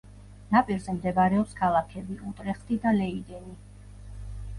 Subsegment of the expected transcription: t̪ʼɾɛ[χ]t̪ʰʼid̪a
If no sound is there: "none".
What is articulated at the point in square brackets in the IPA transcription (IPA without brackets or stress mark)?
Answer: χ